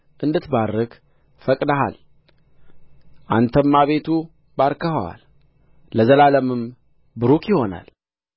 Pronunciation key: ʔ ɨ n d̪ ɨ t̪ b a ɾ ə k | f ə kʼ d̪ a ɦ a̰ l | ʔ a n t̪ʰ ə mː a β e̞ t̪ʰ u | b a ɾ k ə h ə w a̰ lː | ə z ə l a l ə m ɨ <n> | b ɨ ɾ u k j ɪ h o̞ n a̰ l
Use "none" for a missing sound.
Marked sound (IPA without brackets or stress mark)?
m